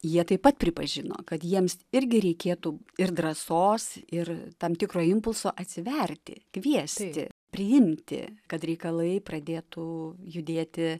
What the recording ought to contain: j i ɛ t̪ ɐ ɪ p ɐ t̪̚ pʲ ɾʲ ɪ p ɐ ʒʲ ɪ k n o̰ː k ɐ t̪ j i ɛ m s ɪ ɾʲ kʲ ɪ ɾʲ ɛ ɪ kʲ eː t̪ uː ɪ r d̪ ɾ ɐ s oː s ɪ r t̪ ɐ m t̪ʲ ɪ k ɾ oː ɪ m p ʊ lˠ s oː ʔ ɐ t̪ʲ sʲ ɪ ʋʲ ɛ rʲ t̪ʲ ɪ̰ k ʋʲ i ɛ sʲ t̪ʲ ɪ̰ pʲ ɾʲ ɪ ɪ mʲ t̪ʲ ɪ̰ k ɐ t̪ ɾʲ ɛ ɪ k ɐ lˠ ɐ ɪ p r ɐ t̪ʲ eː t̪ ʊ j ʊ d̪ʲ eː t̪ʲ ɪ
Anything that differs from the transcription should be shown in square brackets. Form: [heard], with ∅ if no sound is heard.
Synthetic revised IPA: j i ɛ t̪ ɐ ɪ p ɐ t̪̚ pʲ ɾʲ ɪ p ɐ ʒʲ ɪ [∅] n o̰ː k ɐ t̪ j i ɛ m s ɪ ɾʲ [ɡʲ] ɪ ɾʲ ɛ ɪ kʲ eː t̪ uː ɪ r d̪ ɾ ɐ s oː s ɪ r t̪ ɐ m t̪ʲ ɪ k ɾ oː ɪ m p ʊ lˠ s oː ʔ ɐ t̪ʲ sʲ ɪ ʋʲ ɛ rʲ t̪ʲ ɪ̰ k ʋʲ i ɛ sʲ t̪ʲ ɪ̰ pʲ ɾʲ ɪ ɪ mʲ t̪ʲ ɪ̰ k ɐ t̪ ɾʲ ɛ ɪ k ɐ lˠ ɐ ɪ p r ɐ [d̪ʲ] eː t̪ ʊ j ʊ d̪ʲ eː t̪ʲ ɪ

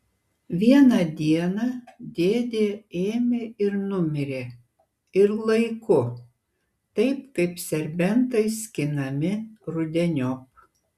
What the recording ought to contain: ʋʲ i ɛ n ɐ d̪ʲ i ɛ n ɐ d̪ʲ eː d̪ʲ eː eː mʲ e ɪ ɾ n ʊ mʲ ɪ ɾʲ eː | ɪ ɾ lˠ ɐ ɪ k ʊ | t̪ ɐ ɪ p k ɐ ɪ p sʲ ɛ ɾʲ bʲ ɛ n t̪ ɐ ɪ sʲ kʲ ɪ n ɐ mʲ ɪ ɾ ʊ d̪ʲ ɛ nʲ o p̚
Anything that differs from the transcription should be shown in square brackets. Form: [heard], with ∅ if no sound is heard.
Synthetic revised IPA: ʋʲ i ɛ n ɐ d̪ʲ i ɛ n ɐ d̪ʲ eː d̪ʲ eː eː mʲ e ɪ ɾ n ʊ mʲ ɪ ɾʲ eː | ɪ ɾ lˠ ɐ ɪ k ʊ | t̪ ɐ ɪ p k ɐ ɪ p sʲ ɛ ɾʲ bʲ ɛ n t̪ ɐ ɪ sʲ kʲ ɪ n ɐ mʲ ɪ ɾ ʊ d̪ʲ ɛ nʲ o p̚

